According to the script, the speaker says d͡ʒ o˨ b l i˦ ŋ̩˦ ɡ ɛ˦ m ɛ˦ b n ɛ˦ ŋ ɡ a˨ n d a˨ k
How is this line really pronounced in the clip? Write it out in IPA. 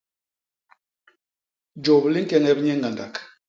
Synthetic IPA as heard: d͡ʒ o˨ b l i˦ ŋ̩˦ k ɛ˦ ŋ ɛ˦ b ɲ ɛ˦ ŋ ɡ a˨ n d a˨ k